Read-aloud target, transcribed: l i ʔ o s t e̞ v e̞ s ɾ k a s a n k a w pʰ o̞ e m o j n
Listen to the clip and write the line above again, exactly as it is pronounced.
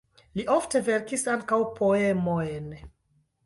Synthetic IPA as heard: l i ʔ o f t e̞ v e̞ ɾ k i s a ŋ k a w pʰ o̞ e m o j n

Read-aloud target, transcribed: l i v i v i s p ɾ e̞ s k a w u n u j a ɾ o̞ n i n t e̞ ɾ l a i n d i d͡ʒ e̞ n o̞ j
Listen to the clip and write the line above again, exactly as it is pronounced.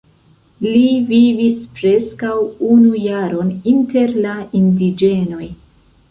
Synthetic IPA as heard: l i v i v i s p ɾ e̞ s k a w u n u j a ɾ o̞ n i n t e̞ ɾ l a i n d i d͡ʒ e̞ n o̞ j

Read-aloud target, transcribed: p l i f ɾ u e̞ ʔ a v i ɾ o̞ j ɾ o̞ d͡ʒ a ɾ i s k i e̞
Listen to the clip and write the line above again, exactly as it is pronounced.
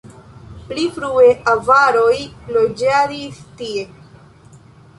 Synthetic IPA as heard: p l i f ɾ u e̞ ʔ a v a ɾ o̞ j l o̞ d͡ʒ a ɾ i s t i e̞

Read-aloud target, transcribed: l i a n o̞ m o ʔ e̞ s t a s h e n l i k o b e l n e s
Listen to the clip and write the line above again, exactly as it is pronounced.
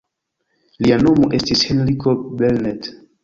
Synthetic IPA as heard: l i a n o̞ m o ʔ e̞ s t i s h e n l i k o b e l n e t

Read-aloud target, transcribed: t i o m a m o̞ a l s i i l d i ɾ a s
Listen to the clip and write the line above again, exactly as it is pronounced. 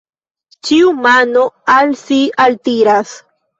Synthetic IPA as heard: t͡ʃ i u m a n o̞ a l s i a l t i ɾ a s

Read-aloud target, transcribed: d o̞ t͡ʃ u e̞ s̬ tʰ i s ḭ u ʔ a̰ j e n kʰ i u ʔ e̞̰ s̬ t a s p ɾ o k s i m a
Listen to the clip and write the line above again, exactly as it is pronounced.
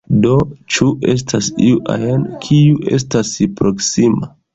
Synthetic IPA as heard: d o̞ t͡ʃ u e̞ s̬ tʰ a s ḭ u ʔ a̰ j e n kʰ i u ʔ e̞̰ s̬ t a s p ɾ o k s i m a

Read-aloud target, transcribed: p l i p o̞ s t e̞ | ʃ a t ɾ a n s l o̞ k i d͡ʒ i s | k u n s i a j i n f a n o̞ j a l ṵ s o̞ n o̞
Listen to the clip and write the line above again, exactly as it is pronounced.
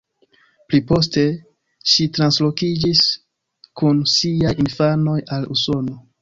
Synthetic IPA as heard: p l i p o̞ s t e̞ | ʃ i t ɾ a n s l o̞ k i d͡ʒ i s | k u n s i a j i n f a n o̞ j a l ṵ s o̞ n o̞

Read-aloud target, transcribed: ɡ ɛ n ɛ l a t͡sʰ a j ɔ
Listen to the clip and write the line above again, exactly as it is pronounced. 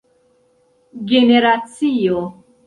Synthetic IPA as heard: ɡ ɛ n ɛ ɾ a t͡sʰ i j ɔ

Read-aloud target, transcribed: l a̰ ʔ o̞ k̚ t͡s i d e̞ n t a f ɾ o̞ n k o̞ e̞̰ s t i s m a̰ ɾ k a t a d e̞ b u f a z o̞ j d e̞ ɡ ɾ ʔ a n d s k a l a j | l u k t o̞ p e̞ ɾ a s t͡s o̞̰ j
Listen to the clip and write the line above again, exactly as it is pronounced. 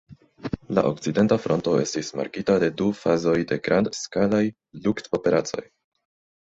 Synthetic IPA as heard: l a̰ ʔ o̞ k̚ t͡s i d e̞ n t a f ɾ o̞ n t o̞ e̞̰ s t i s m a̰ ɾ k i t a d e̞ d u f a z o̞ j d e̞ ɡ ɾ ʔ a n d s k a l a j | l u k t o̞ p e̞ ɾ a t͡s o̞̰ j

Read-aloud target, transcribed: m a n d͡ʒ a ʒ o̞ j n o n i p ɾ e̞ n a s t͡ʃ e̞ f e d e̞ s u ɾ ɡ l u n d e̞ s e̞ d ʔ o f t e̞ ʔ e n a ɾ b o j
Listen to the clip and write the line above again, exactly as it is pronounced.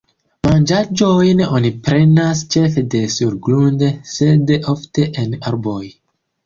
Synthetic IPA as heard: m a n d͡ʒ a d͡ʒ o̞ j n o n i p ɾ e̞ n a s t͡ʃ e̞ f e d e̞ s u ɾ ɡ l u n d e̞ s e̞ d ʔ o f t e̞ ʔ e n a ɾ b o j

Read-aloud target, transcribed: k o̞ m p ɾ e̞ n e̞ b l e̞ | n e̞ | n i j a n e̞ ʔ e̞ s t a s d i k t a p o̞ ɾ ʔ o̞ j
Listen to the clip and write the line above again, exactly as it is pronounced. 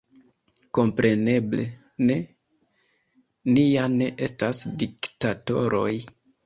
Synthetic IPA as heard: k o̞ m p ɾ e̞ n e̞ b l e̞ | n e̞ | n i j a n e̞ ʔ e̞ s t a s d i k t a t o̞ ɾ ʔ o̞ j

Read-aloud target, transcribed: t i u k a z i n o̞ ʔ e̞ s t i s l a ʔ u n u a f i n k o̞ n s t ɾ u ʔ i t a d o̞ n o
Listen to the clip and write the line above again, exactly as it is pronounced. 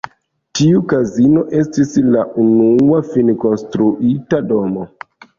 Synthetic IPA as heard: t i u k a z i n o̞ ʔ e̞ s t i s l a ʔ u n u a f i n k o̞ n s t ɾ u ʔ i t a d o̞ m o

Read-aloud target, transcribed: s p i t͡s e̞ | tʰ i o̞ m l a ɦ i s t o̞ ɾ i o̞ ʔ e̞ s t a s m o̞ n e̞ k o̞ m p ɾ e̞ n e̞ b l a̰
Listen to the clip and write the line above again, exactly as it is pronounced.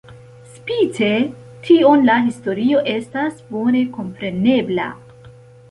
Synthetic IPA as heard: s p i t͡s e̞ | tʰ i o̞ n l a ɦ i s t o̞ ɾ i o̞ ʔ e̞ s t a s b o̞ n e̞ k o̞ m p ɾ e̞ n e̞ b l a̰

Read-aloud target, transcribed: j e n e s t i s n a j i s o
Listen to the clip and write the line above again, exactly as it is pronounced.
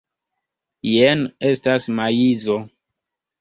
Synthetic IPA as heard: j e n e s t a s m a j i z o

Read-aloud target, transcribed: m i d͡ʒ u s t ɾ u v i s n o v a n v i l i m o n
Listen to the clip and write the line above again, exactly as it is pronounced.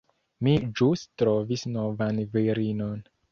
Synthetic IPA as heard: m i d͡ʒ u s t ɾ o v i s n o v a n v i ɾ i n o n

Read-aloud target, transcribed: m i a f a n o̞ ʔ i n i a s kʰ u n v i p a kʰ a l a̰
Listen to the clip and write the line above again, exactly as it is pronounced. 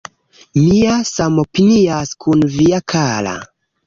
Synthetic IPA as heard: m i a s a m o̞ p i n i a s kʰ u n v i a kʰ a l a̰

